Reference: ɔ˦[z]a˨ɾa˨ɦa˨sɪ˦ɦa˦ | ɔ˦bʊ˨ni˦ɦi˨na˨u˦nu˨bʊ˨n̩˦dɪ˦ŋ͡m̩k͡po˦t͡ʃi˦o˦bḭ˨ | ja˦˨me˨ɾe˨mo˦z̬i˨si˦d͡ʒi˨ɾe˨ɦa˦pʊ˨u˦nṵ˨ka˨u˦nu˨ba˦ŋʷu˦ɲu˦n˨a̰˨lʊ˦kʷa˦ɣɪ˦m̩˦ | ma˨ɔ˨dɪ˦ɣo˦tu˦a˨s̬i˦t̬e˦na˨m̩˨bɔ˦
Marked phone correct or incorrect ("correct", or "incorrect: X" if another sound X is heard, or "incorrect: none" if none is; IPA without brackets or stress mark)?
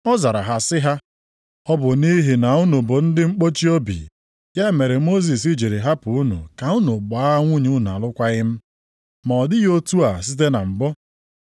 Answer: correct